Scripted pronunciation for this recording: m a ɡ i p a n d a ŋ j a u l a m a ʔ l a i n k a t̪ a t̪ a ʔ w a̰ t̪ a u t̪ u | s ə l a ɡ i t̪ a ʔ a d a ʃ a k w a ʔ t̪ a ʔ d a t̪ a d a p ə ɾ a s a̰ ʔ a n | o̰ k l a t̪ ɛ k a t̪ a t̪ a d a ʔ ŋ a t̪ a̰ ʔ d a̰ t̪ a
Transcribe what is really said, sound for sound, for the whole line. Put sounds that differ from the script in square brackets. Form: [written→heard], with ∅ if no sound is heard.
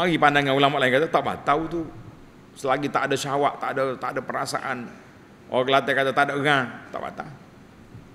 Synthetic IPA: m a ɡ i p a n d a ŋ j a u l a m a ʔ l a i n k a t̪ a t̪ a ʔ [w→b] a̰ t̪ a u t̪ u | s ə l a ɡ i t̪ a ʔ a d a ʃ a [k→∅] w a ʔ t̪ a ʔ d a t̪ a d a p ə ɾ a s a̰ ʔ a n | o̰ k l a t̪ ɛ k a t̪ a t̪ a d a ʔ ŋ a t̪ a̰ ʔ [d→b] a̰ t̪ a